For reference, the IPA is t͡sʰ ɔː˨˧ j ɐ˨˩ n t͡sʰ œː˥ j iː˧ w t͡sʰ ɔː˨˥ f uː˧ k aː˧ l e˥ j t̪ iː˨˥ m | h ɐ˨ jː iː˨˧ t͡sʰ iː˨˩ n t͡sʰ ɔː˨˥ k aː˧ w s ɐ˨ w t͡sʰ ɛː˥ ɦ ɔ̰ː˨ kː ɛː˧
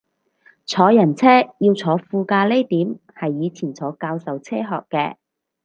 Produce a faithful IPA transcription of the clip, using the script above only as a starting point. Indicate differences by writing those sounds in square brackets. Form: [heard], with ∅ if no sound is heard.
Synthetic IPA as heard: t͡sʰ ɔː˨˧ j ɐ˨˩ n t͡sʰ [ɛː˥] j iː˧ w t͡sʰ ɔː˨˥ f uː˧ k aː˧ l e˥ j t̪ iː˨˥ m | h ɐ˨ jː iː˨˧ t͡sʰ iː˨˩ n t͡sʰ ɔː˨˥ k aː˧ w s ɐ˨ w t͡sʰ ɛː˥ ɦ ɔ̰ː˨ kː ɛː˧